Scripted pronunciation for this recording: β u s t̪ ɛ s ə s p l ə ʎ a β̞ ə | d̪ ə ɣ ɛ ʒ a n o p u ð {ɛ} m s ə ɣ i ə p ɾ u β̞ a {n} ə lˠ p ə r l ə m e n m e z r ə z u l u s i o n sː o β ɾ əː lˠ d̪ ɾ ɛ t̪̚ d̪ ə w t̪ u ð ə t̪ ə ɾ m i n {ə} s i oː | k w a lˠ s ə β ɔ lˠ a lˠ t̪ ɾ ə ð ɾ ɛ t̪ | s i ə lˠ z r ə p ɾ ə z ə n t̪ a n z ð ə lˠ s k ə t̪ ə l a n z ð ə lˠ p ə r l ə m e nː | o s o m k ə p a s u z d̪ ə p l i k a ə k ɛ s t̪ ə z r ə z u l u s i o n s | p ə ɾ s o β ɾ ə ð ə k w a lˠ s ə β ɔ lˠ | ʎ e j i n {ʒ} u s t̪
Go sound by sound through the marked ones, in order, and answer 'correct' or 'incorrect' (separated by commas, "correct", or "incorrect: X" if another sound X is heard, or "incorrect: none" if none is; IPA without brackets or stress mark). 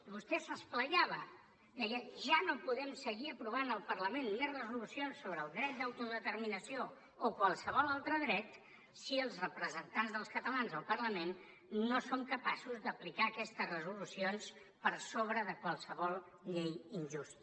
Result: correct, correct, correct, correct